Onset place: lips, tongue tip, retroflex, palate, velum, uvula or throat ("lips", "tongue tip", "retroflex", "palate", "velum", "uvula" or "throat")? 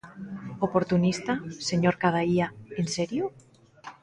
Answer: lips